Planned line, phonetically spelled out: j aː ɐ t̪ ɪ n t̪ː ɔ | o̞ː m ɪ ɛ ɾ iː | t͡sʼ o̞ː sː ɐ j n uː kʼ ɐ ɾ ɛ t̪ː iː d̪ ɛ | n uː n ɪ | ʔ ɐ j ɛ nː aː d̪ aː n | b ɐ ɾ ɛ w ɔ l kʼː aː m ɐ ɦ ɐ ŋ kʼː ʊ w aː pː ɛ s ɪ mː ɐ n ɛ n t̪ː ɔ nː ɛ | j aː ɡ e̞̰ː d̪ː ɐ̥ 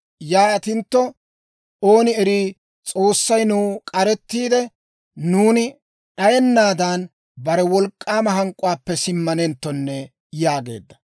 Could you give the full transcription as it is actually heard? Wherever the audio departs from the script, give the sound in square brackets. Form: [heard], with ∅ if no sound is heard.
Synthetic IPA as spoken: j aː ɐ t̪ ɪ n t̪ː ɔ | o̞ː [n] ɪ ɛ ɾ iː | t͡sʼ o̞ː sː ɐ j n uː kʼ ɐ ɾ ɛ t̪ː iː d̪ ɛ | n uː n ɪ | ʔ ɐ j ɛ nː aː d̪ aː n | b ɐ ɾ ɛ w ɔ l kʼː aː m ɐ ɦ ɐ ŋ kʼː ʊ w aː pː ɛ s ɪ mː ɐ n ɛ n t̪ː ɔ nː ɛ | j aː ɡ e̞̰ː d̪ː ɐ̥